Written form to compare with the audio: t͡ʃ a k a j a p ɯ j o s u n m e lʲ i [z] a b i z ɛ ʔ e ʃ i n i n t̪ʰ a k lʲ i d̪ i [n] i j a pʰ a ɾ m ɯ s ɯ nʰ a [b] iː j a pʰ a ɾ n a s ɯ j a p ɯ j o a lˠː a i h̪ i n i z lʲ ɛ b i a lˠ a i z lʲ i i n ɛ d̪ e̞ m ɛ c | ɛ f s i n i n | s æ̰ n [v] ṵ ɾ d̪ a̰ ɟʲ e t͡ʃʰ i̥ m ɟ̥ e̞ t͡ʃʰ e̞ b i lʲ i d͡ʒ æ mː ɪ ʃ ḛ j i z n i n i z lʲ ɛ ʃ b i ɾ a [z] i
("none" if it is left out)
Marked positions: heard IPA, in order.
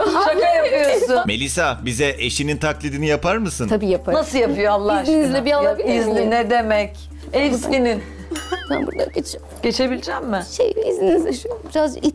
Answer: s, n, b, b, z

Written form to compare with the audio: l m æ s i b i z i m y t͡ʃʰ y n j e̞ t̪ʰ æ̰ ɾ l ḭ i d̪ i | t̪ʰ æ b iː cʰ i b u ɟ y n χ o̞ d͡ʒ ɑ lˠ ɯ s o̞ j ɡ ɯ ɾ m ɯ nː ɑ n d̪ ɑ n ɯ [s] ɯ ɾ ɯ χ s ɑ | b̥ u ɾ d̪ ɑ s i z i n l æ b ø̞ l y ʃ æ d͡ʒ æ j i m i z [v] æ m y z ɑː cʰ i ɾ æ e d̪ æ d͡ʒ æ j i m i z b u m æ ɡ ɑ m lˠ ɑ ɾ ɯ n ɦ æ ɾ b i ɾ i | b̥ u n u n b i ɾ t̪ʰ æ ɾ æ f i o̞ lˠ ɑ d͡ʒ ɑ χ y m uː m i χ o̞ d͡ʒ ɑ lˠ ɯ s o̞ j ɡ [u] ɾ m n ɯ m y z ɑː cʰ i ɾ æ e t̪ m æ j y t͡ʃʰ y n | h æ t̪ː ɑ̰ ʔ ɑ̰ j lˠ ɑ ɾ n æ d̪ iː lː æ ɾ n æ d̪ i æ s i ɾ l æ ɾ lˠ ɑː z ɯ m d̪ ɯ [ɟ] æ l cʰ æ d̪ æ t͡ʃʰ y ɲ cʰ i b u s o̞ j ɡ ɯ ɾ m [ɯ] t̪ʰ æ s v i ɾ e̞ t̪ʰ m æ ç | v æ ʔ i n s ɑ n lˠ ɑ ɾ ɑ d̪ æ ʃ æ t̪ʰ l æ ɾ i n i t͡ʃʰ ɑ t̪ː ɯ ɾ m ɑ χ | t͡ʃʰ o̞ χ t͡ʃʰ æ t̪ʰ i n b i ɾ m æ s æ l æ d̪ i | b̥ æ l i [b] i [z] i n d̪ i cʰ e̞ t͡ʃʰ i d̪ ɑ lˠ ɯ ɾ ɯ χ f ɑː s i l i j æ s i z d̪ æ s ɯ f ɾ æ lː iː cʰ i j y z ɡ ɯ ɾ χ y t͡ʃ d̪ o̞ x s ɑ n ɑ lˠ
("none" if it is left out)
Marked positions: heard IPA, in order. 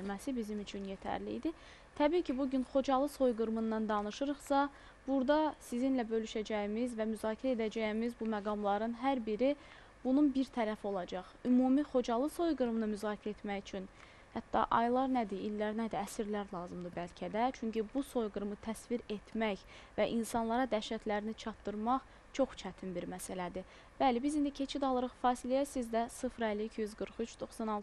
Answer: ʃ, v, ɯ, b, ɯ, b, z

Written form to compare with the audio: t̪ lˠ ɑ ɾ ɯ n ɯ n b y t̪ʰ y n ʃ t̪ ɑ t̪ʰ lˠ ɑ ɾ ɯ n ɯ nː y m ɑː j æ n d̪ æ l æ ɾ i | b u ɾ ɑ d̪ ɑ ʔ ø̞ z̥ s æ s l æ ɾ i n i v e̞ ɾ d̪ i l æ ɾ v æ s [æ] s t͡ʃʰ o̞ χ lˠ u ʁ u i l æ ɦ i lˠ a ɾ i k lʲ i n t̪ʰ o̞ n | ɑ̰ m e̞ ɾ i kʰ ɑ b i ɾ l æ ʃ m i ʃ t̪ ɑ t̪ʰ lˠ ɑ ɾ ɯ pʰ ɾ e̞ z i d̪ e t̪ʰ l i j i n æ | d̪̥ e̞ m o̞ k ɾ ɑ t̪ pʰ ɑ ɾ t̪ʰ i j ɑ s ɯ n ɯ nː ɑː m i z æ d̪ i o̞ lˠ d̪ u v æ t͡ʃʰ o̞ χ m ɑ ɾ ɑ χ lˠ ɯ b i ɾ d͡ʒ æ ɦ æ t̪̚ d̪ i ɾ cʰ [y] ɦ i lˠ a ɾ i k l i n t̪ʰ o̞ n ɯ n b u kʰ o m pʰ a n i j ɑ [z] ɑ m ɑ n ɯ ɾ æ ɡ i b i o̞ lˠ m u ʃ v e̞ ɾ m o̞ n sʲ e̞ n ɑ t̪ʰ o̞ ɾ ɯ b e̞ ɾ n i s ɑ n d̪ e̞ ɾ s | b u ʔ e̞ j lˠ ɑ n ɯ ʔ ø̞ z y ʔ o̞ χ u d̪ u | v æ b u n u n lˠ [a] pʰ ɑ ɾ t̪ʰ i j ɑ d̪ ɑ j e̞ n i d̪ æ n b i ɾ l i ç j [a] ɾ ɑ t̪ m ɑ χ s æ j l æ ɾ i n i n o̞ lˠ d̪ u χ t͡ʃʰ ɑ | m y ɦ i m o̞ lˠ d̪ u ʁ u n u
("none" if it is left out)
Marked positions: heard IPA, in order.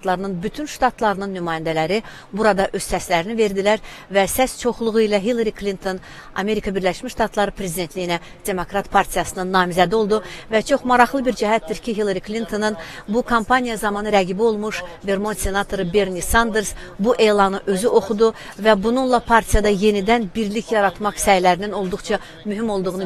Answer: æ, i, z, ɑ, ɑ

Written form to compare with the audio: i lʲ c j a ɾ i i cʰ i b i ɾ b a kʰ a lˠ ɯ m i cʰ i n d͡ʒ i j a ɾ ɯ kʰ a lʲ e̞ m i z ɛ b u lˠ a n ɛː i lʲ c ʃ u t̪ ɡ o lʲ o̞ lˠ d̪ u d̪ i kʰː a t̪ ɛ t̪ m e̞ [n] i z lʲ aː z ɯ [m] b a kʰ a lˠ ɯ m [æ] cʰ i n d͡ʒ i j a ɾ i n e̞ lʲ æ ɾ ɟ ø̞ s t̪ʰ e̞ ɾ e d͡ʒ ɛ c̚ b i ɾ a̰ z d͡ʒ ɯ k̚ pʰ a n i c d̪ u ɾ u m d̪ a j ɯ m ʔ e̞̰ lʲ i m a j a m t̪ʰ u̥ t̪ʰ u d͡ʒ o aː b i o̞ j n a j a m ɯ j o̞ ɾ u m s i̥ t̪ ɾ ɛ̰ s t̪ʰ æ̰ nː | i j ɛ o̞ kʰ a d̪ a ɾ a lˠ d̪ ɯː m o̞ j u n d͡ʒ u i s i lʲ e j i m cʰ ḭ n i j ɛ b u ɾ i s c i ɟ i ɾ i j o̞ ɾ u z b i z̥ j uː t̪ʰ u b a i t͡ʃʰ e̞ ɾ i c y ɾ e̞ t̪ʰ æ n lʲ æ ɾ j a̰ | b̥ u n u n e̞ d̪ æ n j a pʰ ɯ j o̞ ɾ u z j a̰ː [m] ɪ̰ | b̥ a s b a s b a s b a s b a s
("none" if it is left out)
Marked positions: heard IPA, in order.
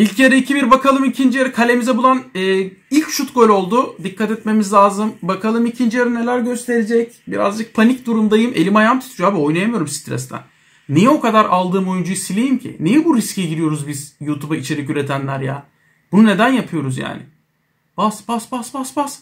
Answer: m, m, i, n

